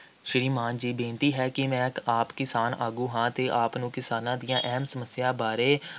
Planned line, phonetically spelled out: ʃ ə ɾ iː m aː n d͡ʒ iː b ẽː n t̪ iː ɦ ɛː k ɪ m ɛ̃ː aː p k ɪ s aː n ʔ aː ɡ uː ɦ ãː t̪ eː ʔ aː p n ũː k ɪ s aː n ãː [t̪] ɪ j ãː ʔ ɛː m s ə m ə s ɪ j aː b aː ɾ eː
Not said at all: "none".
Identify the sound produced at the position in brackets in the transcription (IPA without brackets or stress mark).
d̪